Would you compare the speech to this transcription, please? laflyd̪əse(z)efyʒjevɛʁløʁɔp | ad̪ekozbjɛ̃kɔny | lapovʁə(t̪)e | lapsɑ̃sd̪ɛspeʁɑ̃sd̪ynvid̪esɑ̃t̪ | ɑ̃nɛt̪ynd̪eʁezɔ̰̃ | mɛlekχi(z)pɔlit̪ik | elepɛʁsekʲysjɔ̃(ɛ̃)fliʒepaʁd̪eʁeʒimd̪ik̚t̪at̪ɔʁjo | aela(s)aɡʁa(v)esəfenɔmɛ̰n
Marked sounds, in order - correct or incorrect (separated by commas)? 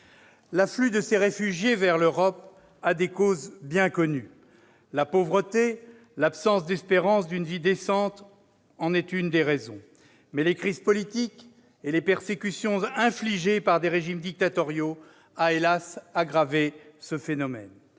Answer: incorrect, correct, correct, correct, correct, correct